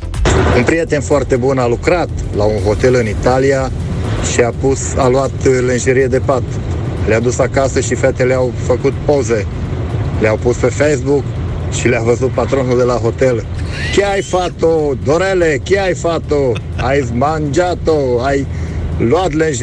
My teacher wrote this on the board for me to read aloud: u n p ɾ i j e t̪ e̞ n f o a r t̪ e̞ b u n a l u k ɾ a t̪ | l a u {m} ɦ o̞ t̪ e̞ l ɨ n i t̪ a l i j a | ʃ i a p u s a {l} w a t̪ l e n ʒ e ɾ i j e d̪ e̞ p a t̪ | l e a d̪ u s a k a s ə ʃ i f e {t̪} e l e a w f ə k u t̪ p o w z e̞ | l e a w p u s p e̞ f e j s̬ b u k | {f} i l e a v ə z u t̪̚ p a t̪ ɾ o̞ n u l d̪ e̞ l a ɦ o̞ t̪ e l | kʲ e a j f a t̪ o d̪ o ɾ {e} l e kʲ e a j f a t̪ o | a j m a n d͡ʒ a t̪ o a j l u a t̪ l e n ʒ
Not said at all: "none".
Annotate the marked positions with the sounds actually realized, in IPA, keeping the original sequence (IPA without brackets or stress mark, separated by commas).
n, l, t̪, ʃ, e